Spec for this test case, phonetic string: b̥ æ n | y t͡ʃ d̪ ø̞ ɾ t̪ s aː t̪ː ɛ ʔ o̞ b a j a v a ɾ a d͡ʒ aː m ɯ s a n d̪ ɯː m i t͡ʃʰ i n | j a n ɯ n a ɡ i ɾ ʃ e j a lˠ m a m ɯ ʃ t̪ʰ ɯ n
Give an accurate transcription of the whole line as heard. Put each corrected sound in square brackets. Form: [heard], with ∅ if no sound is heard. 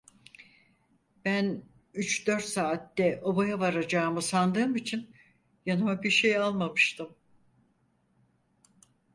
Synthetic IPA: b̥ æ n | y t͡ʃ d̪ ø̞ ɾ t̪ s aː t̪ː ɛ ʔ o̞ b a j a v a ɾ a d͡ʒ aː m ɯ s a n d̪ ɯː m i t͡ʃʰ i n | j a n ɯ [m] a [b] i ɾ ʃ e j a lˠ m a m ɯ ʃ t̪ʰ ɯ [m]